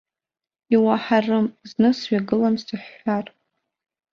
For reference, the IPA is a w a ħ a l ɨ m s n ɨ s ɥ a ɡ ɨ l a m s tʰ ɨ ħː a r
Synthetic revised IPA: i w a ħ a r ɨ m z n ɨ s ɥ a ɡ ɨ l a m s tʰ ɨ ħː a r

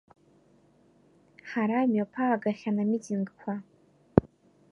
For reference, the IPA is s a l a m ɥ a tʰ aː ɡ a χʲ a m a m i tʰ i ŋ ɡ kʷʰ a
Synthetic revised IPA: ħ a ɾ a m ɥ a pʰ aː ɡ a χʲ a n a m i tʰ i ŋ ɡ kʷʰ a

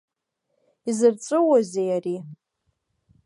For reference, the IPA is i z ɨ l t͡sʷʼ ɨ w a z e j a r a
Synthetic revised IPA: i z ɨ r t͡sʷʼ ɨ w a z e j a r i

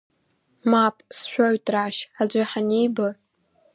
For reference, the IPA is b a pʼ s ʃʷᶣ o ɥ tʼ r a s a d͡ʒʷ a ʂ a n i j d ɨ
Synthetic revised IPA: m a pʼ s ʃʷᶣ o ɥ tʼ r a ʃ a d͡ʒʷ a ħ a n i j b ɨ

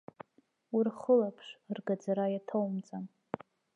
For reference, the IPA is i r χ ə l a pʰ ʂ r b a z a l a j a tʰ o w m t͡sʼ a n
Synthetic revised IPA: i r χ ə l a pʰ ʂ r ɡ a d͡z a ɾ a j a tʰ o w m t͡sʼ a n

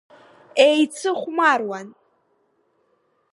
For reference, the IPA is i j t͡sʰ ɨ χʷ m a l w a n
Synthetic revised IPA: e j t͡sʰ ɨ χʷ m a r w a n

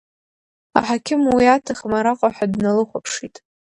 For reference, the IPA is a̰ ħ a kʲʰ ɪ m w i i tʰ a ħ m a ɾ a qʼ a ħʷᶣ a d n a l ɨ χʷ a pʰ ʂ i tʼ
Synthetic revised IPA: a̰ ħ a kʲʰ ɪ m w i a tʰ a χ m a ɾ a qʼ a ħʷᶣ a d n a l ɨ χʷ a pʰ ʂ i tʼ

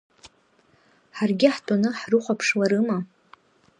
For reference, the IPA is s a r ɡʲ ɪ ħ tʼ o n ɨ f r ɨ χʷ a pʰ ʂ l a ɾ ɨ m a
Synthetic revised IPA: ħ a r ɡʲ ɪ ħ tʼ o n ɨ ħ r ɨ χʷ a pʰ ʂ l a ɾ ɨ m a

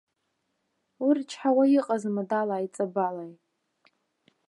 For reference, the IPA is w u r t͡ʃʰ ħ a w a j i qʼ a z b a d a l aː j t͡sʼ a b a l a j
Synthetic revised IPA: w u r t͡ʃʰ ħ a w a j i qʼ a z m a d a l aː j t͡sʼ a b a l a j

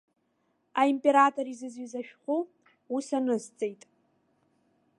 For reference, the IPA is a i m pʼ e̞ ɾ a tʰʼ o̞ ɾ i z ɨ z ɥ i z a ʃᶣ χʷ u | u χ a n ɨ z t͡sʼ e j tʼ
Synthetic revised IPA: a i m pʼ e̞ ɾ a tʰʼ o̞ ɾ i z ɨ z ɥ i z a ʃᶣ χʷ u | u s a n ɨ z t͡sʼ e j tʼ

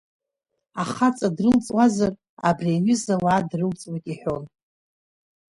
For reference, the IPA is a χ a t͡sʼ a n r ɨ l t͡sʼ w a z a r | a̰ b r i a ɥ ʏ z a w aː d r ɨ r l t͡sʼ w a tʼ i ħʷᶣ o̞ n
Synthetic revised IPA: a χ a t͡sʼ a d r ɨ l t͡sʼ w a z a r | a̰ b r i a ɥ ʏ z a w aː d r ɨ l t͡sʼ w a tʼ i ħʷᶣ o̞ n

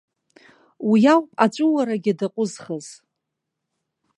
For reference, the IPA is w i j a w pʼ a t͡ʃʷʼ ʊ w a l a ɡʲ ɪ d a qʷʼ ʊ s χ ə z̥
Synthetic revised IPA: w i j a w pʼ a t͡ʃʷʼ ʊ w a ɾ a ɡʲ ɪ d a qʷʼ ʊ z χ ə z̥

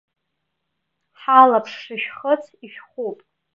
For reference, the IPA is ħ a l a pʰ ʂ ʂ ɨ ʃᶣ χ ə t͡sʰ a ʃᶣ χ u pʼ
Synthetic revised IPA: ħ a l a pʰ ʂ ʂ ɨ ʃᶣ χ ə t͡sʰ i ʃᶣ χ u pʼ

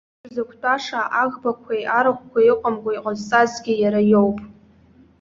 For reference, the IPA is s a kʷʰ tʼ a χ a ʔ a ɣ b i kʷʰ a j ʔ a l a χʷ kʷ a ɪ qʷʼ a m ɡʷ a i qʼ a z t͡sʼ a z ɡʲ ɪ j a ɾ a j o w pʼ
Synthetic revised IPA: z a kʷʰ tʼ a ʂ a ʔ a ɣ b a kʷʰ a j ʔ a ɾ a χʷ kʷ a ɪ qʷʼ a m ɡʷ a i qʼ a z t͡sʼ a z ɡʲ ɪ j a ɾ a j o w pʼ

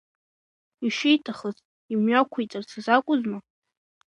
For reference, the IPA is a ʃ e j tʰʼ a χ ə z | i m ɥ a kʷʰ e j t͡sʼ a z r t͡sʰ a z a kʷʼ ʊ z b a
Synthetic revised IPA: i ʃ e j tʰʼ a χ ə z | i m ɥ a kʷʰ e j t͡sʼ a r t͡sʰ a z a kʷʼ ʊ z m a

